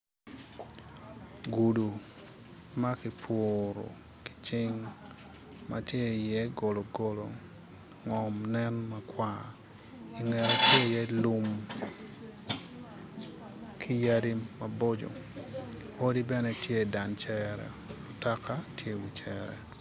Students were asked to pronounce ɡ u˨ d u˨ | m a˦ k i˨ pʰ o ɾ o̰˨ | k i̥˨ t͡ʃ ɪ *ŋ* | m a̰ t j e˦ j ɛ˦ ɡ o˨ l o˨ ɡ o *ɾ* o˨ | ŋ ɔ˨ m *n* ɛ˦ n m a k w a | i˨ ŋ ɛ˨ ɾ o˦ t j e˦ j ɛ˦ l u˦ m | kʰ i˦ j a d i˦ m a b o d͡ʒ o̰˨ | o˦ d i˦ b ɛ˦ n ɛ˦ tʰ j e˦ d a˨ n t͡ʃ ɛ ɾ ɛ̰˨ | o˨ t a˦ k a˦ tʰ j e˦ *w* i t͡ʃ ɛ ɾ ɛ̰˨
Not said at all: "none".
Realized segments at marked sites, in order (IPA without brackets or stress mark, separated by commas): ŋ, l, n, w